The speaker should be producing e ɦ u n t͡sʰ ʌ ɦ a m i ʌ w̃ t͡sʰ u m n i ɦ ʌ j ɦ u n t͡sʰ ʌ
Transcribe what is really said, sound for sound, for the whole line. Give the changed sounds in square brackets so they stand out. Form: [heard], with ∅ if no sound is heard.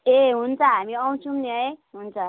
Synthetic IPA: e ɦ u n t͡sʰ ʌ ɦ a m i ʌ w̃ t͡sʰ u m n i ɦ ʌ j ɦ u n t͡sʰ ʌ